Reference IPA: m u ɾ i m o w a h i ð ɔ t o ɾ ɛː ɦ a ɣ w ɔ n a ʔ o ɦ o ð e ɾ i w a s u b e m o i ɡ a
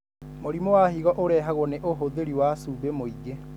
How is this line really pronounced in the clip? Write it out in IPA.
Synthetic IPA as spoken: m o ɾ i m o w a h i ɣ ɔ ʔ o ɾ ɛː ɦ a ɣ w ɔ n e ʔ o ɦ o ð e ɾ i w a s u b e m o i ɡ e